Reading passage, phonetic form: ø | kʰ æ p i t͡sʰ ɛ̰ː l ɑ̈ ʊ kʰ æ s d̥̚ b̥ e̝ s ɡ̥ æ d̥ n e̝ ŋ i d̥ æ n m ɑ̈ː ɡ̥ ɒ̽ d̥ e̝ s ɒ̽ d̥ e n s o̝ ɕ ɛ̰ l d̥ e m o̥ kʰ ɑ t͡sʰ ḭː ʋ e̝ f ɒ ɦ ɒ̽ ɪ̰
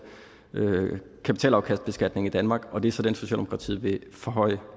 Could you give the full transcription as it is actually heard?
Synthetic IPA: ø | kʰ æ p i t͡sʰ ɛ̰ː l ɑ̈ ʊ kʰ æ s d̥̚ b̥ e̝ s ɡ̥ æ d̥ n e̝ ŋ i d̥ æ n m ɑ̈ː ɡ̥ ɒ̽ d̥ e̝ s ɒ̽ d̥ e n s o̝ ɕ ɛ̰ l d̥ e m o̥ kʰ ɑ t͡sʰ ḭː ʋ e̝ f ɒ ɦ ɒ̽ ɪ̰